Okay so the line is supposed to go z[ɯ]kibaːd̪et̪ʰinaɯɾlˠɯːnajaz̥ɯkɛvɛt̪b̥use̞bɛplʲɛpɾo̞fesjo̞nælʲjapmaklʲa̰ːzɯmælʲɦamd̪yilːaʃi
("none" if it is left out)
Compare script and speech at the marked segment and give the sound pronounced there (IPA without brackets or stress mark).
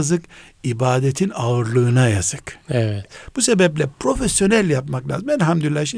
ɯ